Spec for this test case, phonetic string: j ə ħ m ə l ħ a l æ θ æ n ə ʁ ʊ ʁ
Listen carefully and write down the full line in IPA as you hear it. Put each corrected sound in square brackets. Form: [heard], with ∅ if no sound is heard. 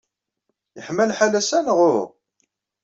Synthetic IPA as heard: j ə ħ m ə l ħ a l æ [s] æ n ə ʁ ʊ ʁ